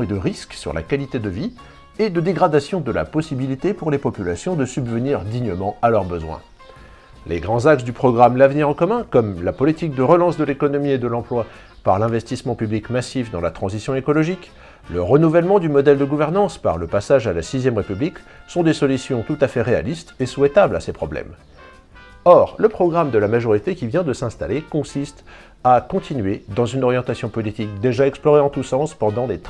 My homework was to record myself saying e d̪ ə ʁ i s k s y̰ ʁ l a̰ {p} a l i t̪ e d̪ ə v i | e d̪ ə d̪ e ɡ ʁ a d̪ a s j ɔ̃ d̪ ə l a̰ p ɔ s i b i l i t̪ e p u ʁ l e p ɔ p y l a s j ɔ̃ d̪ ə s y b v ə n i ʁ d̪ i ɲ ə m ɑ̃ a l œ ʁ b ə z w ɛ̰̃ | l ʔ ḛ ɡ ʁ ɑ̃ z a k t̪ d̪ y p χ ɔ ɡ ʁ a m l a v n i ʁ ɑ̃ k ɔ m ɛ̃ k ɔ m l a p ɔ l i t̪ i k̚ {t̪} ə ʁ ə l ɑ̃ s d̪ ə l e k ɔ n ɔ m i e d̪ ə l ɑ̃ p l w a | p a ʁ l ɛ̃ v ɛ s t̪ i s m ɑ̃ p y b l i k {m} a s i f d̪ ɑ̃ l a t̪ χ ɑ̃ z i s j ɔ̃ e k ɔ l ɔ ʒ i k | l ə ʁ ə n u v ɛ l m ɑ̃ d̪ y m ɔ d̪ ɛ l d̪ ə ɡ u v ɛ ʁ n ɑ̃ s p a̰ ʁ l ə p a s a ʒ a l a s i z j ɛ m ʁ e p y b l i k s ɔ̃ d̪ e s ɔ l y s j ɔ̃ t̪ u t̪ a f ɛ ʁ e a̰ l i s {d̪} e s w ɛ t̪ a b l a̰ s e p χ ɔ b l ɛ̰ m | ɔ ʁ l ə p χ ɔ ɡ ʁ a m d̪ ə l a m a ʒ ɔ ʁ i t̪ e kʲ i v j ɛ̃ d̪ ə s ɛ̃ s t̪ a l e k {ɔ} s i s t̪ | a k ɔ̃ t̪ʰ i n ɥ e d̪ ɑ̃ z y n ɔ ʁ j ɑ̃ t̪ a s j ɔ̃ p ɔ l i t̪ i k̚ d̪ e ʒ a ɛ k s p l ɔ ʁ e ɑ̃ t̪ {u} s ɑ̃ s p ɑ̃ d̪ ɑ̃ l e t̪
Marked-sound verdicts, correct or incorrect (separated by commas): incorrect, incorrect, correct, incorrect, incorrect, correct